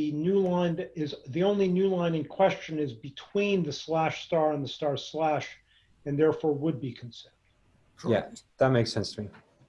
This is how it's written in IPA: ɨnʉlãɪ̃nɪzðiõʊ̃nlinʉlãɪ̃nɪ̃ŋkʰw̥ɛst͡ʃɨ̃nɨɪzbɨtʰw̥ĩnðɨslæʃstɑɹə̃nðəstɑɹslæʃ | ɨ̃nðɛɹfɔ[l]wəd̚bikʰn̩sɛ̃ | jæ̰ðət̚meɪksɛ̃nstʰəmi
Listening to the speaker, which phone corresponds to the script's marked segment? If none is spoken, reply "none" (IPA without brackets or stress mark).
ɹ